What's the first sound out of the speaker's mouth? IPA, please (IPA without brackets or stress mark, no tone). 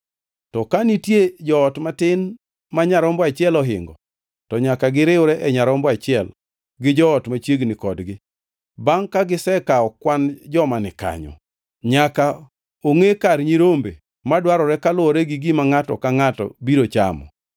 t